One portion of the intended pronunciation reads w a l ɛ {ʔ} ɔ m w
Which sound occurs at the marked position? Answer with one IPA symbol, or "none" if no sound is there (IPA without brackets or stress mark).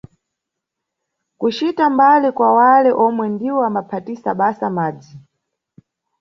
ʔ